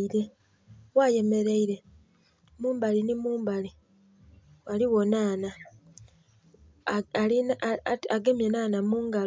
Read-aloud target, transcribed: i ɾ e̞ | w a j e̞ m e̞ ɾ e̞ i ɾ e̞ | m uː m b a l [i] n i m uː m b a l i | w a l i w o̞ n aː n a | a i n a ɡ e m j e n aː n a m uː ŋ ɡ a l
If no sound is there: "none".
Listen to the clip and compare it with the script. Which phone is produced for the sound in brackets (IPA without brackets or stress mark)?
i